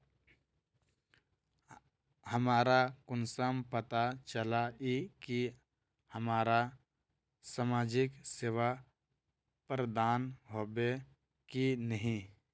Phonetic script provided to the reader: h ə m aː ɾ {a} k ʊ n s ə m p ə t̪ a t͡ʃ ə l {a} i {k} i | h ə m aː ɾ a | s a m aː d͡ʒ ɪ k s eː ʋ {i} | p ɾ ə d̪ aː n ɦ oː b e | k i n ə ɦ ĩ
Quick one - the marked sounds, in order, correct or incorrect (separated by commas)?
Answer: correct, correct, correct, incorrect